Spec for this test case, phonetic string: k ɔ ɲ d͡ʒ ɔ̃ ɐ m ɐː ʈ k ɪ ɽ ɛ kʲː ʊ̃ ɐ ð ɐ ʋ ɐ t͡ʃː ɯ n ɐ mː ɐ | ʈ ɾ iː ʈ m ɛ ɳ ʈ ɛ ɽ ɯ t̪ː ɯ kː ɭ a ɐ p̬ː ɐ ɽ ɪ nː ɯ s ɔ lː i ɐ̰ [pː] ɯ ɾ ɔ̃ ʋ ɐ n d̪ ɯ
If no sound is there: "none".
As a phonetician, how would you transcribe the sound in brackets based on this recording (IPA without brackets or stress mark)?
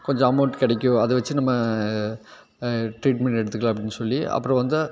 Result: pː